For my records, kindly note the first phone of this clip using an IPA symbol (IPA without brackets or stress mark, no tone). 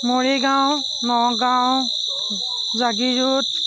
m